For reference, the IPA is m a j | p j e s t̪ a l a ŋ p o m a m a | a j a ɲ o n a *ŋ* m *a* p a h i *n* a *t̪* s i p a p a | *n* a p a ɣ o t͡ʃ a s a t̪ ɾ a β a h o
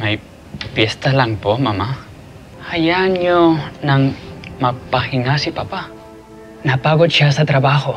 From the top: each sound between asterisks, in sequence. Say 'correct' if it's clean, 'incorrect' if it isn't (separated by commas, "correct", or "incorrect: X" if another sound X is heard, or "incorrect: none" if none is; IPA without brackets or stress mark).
correct, correct, incorrect: ŋ, incorrect: none, correct